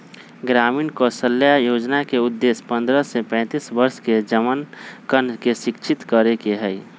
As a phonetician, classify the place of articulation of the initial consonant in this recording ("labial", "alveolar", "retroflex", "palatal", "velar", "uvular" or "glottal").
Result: velar